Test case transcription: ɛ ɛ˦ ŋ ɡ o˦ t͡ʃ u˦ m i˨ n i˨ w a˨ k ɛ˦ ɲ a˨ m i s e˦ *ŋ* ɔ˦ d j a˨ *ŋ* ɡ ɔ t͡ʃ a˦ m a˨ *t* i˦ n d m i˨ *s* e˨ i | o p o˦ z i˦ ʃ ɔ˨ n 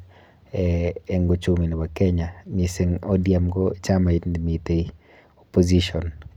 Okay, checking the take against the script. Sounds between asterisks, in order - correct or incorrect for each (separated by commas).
correct, incorrect, incorrect, incorrect